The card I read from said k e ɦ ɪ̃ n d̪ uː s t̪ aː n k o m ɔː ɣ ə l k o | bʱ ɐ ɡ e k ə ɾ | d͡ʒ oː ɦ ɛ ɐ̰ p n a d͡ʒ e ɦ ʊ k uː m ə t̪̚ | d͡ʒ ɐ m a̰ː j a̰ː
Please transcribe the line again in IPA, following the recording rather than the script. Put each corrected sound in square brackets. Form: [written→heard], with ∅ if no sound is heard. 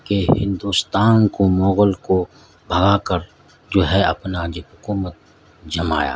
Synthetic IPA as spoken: k e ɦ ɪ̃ n d̪ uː s t̪ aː n k o m ɔː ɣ ə l k o | bʱ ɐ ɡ [e→a] k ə ɾ | d͡ʒ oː ɦ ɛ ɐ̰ p n a d͡ʒ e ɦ ʊ k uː m ə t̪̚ | d͡ʒ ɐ m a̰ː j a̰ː